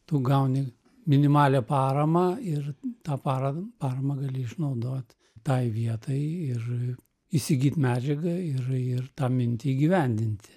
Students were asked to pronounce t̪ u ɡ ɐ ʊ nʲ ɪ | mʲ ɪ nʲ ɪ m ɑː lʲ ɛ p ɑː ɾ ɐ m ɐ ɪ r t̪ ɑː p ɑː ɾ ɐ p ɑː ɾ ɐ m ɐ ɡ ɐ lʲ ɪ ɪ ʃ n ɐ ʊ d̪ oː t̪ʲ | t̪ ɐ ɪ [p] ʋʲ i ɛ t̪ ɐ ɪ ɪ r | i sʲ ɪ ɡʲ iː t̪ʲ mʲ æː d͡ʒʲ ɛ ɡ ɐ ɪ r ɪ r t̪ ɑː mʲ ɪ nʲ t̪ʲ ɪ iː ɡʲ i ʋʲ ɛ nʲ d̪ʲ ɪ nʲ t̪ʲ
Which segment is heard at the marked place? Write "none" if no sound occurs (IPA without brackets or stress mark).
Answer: none